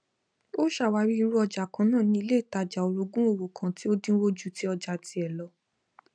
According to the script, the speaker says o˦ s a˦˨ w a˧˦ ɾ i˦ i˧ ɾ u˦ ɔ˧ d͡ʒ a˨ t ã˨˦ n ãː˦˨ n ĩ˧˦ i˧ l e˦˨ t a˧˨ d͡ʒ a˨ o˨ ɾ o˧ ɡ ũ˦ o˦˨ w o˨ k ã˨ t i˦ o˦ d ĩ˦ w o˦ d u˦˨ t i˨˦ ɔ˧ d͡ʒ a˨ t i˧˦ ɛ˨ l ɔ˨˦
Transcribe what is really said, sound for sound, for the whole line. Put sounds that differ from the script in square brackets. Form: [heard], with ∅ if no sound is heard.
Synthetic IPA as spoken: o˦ [ʃ] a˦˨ w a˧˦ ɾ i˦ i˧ ɾ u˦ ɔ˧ d͡ʒ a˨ [k] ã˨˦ n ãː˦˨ n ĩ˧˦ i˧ l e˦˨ t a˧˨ d͡ʒ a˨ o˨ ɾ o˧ ɡ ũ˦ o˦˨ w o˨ k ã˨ t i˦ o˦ d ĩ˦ w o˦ [d͡ʒ] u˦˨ t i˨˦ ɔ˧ d͡ʒ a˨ t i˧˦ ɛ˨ l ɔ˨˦